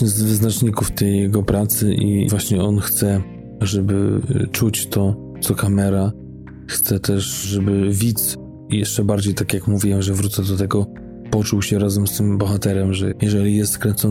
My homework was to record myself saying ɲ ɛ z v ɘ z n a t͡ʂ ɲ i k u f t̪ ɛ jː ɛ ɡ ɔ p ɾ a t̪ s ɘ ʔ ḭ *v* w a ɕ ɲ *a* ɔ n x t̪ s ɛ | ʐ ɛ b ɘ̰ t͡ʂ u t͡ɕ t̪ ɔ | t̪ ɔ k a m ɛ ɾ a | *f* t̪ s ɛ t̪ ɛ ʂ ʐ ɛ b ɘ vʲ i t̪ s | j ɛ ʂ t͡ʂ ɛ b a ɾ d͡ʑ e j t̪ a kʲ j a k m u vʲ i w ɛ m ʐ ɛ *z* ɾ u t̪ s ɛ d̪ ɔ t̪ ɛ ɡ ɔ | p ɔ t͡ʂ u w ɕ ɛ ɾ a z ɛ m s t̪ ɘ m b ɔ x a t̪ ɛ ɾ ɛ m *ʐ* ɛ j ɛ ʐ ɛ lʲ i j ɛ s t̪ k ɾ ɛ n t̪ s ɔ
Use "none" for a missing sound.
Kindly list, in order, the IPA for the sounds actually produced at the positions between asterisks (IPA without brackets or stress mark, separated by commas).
v, ɛ, x, v, ʐ